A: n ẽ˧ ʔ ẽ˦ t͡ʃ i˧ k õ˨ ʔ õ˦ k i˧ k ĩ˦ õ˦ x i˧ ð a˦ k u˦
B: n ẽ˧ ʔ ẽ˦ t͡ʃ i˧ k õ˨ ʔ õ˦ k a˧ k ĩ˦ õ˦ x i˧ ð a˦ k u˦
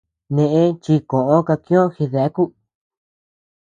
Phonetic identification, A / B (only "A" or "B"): B